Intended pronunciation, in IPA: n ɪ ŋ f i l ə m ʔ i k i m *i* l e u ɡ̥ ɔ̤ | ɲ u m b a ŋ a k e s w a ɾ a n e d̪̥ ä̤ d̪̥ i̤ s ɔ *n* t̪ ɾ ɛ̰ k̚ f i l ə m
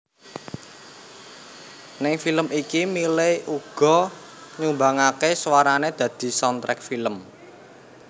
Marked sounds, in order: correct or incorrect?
correct, correct

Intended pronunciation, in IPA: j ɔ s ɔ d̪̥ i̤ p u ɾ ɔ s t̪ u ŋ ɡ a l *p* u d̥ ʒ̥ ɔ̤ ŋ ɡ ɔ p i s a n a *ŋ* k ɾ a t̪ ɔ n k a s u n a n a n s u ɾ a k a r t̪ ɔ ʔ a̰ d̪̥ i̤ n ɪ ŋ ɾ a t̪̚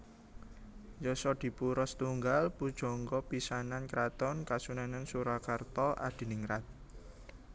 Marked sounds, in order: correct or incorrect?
correct, incorrect

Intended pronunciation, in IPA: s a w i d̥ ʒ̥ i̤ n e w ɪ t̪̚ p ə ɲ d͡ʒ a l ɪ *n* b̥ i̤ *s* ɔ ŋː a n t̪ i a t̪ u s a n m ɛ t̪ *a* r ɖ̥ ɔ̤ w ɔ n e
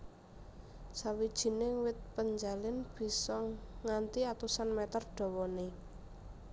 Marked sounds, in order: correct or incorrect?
correct, correct, incorrect

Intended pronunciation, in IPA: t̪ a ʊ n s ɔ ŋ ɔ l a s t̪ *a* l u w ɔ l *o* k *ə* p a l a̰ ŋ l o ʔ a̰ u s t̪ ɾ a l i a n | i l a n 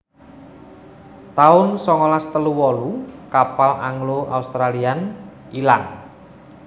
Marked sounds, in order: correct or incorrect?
incorrect, incorrect, incorrect

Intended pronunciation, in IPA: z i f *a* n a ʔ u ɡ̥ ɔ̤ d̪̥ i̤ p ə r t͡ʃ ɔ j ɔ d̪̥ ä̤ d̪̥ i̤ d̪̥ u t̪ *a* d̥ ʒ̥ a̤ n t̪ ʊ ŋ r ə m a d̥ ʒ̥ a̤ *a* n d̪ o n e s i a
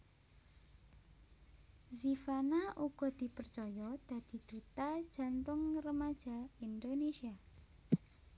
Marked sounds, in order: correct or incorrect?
correct, correct, incorrect

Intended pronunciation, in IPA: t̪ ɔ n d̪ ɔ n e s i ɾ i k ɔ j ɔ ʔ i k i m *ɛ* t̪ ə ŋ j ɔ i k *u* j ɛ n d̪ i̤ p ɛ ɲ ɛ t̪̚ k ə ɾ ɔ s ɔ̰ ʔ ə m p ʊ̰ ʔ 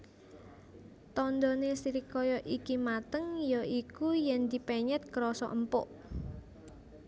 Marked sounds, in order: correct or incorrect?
incorrect, correct

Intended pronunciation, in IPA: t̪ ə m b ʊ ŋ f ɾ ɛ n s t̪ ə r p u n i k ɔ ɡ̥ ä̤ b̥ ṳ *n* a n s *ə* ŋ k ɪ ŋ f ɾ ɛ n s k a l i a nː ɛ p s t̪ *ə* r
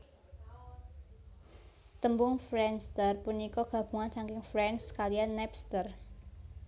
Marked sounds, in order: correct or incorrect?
incorrect, incorrect, correct

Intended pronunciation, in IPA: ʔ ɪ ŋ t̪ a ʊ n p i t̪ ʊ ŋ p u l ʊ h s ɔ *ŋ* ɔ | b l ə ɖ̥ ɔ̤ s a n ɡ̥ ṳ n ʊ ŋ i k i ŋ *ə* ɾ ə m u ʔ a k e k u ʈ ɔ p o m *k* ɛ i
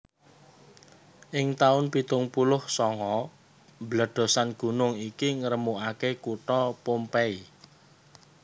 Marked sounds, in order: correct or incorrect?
correct, correct, incorrect

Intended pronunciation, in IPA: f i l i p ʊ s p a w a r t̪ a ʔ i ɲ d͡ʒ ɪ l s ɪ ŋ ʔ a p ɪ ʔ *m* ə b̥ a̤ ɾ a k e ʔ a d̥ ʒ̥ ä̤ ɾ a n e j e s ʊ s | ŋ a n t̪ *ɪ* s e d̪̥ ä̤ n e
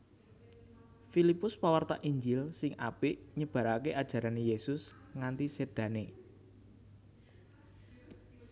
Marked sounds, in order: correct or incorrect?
incorrect, incorrect

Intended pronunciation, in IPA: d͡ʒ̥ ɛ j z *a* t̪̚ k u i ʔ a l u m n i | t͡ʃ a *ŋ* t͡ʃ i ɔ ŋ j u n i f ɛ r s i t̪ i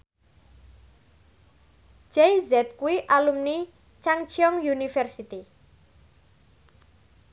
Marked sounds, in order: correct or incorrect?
incorrect, correct

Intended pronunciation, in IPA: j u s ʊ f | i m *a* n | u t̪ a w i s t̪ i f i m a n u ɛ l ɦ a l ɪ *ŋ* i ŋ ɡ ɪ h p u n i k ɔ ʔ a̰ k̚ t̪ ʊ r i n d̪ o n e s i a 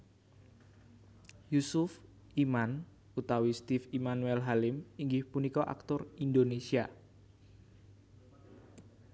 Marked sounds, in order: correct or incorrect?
correct, incorrect

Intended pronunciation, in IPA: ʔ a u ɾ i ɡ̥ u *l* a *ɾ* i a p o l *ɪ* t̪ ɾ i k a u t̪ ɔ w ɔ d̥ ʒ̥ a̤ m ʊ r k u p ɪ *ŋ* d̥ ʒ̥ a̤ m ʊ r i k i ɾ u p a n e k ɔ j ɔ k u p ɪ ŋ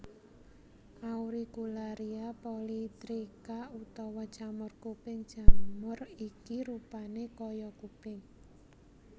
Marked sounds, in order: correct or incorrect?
correct, correct, incorrect, correct

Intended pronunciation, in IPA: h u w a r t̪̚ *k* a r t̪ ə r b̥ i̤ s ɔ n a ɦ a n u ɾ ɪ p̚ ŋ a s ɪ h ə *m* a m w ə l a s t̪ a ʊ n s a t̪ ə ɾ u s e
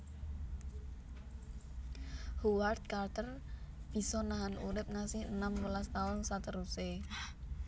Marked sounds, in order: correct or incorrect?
correct, incorrect

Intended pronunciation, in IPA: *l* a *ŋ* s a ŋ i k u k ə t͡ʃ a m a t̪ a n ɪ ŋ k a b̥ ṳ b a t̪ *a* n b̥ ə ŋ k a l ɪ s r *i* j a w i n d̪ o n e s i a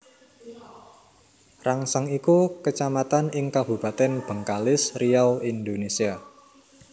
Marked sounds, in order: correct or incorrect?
incorrect, correct, incorrect, correct

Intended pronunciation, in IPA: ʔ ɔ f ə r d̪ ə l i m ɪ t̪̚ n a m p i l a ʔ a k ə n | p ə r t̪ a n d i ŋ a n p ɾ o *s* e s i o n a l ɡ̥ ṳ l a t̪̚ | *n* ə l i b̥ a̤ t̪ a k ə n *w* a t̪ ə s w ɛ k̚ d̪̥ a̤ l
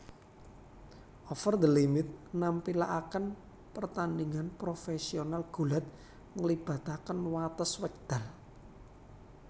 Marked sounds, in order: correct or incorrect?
incorrect, incorrect, correct

